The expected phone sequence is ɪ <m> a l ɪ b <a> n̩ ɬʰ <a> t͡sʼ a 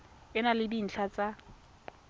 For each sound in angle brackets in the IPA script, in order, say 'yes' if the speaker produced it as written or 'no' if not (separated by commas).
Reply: no, no, yes